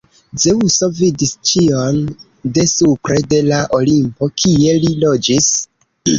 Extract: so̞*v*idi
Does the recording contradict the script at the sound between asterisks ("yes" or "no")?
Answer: no